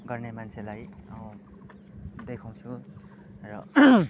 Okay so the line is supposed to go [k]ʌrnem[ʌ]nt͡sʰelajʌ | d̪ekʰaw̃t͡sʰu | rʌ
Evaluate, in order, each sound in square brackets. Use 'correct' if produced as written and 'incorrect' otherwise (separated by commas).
incorrect, incorrect